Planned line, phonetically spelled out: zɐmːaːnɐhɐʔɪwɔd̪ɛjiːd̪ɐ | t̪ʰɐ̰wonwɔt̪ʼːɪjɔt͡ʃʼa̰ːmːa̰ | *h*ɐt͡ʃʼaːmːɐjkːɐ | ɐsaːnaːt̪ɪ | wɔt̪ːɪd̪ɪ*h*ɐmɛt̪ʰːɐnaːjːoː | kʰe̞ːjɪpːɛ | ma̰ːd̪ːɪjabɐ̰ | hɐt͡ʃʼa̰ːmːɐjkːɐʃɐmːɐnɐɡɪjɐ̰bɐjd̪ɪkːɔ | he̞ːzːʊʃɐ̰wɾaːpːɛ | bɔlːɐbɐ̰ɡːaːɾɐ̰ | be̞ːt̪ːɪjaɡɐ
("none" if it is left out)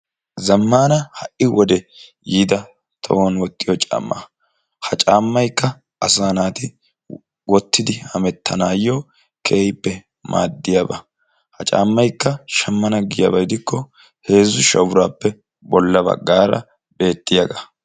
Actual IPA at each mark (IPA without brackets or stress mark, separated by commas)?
h, h